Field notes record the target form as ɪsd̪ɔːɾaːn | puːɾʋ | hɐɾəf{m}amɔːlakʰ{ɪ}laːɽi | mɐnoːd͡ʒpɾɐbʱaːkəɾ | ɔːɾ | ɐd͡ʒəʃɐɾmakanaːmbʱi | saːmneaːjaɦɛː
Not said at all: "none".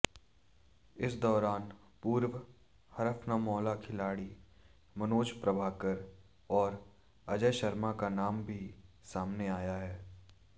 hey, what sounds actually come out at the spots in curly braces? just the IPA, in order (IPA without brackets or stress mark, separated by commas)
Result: n, ɪ